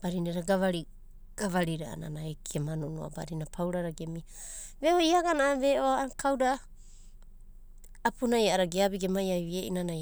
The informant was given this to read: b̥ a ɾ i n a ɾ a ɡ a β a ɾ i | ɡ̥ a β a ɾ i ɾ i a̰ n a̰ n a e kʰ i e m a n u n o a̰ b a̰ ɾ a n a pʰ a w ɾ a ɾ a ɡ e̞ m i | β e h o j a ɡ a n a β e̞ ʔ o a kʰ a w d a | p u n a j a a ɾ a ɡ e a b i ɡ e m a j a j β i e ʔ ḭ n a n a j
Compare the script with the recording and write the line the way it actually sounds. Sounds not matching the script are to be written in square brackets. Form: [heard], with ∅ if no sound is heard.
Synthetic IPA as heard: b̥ a ɾ i n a ɾ a ɡ a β a ɾ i | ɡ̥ a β a ɾ i ɾ [a] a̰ n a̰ n a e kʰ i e m a n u n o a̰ b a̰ ɾ [i] n a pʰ a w ɾ a ɾ a ɡ e̞ m i | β e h o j a ɡ a n a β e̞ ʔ o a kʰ a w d a | p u n a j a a ɾ a ɡ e a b i ɡ e m a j a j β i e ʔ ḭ n a n a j